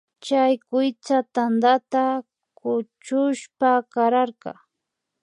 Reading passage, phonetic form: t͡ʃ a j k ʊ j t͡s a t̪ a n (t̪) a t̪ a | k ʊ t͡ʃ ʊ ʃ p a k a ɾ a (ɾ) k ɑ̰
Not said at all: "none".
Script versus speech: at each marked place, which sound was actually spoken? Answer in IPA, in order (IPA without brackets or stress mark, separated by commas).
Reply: d̪, ɾ